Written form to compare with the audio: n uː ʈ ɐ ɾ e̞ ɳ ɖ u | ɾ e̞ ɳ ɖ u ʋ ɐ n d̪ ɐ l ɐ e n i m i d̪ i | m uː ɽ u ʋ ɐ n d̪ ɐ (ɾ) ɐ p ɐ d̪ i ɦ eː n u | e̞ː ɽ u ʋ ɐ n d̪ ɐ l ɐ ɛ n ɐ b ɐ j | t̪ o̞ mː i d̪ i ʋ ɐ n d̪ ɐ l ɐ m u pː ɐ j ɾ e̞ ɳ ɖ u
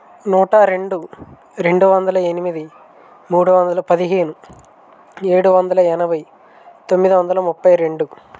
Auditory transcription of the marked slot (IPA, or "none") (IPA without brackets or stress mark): l